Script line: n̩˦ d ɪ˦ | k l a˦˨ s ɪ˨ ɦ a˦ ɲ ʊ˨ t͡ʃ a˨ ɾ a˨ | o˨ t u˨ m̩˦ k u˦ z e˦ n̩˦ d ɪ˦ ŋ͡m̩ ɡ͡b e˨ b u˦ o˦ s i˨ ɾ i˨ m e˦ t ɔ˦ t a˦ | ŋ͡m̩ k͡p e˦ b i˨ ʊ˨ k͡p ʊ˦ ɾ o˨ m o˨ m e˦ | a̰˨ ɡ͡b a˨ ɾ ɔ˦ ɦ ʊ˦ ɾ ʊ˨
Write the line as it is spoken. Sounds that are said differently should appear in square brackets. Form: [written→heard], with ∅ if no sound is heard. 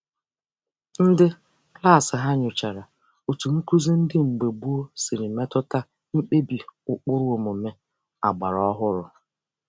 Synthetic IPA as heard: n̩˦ d ɪ˦ | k l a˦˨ s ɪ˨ ɦ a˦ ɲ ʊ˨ t͡ʃ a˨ ɾ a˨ | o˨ t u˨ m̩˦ k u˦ z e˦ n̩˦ d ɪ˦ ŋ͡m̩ ɡ͡b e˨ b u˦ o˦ s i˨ ɾ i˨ m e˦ t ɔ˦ t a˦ | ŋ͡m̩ k͡p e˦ b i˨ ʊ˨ k͡p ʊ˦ ɾ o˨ m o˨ m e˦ | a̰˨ ɡ͡b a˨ ɾ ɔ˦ ɦ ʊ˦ ɾ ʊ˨